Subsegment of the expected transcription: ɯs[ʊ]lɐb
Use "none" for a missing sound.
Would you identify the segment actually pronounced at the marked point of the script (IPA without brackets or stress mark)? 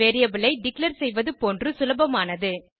ʊ